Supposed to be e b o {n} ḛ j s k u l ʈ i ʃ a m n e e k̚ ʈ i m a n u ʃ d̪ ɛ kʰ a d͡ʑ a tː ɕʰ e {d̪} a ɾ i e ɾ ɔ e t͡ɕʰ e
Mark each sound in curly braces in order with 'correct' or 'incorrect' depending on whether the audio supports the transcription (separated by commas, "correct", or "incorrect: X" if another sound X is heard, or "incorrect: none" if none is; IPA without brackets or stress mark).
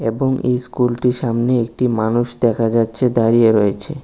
incorrect: ŋ, correct